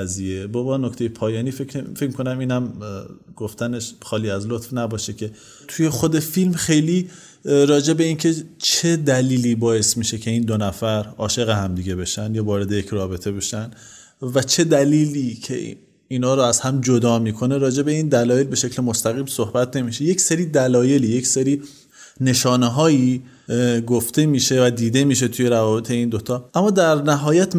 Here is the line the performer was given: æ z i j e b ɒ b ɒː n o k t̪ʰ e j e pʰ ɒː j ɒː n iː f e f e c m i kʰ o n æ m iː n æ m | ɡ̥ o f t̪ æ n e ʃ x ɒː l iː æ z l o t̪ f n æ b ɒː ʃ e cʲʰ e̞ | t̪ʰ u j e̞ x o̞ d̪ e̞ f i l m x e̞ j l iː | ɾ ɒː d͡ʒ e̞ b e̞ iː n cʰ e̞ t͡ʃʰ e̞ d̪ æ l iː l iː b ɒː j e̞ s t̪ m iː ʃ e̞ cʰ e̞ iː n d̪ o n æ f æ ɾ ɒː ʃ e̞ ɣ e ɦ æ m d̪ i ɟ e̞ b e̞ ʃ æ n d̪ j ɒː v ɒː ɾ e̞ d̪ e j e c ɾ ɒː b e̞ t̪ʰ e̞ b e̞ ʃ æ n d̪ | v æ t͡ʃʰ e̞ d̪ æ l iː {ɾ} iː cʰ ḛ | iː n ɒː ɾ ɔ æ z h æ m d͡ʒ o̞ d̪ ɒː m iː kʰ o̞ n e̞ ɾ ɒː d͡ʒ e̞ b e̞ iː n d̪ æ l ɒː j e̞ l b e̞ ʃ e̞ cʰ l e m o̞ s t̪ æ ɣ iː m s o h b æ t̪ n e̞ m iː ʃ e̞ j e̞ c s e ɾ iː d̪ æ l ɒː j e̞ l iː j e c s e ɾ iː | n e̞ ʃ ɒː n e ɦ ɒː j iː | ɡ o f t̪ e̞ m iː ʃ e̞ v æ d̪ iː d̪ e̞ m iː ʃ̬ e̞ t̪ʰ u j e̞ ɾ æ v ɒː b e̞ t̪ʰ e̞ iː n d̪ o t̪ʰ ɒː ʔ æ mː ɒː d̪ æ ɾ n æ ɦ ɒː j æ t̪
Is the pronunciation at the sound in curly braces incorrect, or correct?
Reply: incorrect